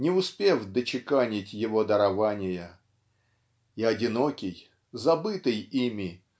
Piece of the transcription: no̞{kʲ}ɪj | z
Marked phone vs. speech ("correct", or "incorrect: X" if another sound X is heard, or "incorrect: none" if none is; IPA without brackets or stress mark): correct